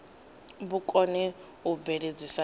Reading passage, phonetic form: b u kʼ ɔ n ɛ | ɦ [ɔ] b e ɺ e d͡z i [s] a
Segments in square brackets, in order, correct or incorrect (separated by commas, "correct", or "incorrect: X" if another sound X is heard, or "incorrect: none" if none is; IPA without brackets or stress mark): incorrect: u, correct